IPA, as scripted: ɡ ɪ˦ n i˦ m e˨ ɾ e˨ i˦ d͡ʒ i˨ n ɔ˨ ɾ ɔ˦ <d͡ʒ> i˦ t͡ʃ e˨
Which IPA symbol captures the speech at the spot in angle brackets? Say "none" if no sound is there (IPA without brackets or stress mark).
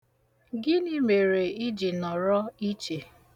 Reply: none